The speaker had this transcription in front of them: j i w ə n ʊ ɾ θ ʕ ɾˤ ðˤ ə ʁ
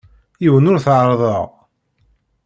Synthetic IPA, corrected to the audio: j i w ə n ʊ ɾ θ ʕ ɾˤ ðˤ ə ʁ